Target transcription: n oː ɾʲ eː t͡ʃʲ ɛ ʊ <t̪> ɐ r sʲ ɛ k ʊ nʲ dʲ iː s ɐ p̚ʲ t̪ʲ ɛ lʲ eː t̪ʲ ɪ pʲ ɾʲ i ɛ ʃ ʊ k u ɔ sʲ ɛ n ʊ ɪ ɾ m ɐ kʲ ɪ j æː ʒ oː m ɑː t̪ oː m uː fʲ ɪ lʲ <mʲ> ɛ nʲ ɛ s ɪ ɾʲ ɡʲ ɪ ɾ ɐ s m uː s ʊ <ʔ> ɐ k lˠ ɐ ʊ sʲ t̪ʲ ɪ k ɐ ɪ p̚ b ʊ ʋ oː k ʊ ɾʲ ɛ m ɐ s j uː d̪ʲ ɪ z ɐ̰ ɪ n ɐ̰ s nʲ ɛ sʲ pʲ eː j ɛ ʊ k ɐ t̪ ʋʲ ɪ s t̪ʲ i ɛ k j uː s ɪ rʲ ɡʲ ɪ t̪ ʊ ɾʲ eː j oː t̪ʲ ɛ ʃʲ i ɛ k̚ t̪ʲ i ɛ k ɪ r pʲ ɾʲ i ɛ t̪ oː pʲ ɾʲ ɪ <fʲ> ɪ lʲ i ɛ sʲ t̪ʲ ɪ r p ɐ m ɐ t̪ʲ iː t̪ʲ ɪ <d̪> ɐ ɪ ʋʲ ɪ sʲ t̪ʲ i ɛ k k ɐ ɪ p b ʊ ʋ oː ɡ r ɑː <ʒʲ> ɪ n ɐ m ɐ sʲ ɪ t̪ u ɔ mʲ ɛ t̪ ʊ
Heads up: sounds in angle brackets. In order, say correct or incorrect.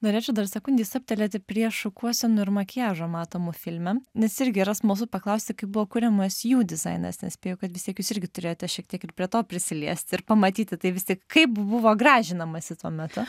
incorrect: d̪, correct, incorrect: p, incorrect: sʲ, incorrect: t̪, correct

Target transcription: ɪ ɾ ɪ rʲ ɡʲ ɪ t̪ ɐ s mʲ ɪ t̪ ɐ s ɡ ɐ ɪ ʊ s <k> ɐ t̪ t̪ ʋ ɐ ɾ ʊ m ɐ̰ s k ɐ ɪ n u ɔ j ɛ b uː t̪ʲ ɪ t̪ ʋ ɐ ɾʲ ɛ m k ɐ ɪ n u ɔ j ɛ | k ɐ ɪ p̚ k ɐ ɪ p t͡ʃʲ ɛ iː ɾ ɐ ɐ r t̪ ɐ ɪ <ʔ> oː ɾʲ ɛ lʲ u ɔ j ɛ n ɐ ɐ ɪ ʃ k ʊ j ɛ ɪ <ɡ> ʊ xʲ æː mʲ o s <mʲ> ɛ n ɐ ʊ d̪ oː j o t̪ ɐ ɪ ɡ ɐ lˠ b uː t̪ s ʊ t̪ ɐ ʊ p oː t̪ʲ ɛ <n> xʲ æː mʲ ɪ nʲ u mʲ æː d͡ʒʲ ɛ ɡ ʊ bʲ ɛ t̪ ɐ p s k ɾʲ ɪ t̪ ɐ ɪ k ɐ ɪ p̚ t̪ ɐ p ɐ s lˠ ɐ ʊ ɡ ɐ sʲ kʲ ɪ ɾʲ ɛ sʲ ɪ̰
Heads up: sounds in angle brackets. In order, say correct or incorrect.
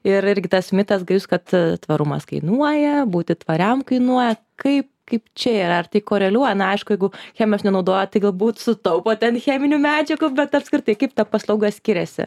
correct, incorrect: k, correct, incorrect: nʲ, correct

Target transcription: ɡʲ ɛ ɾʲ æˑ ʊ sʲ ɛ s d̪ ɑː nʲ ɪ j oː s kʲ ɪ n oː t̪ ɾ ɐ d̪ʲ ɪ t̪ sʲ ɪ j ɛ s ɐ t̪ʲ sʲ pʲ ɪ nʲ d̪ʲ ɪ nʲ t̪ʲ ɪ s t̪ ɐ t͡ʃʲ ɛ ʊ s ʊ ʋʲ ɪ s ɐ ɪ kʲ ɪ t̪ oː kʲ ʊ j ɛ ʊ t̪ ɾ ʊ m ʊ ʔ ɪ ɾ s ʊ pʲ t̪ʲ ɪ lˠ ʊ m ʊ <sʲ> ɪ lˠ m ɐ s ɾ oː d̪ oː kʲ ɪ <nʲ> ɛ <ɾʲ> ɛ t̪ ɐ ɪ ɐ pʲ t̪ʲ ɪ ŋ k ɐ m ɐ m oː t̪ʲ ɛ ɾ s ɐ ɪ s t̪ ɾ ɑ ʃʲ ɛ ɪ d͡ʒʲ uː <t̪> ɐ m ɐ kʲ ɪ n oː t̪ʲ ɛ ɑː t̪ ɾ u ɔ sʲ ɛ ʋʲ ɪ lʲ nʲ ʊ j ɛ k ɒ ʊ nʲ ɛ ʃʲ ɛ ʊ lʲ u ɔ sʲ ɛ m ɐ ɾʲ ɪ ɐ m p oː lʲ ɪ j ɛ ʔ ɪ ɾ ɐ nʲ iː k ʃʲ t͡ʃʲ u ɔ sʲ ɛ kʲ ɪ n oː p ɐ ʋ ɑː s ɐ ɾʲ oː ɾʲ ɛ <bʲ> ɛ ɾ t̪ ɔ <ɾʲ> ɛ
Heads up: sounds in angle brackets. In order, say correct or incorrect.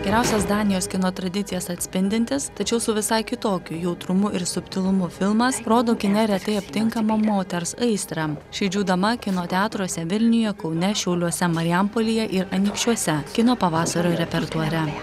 incorrect: fʲ, correct, correct, incorrect: d̪, incorrect: pʲ, correct

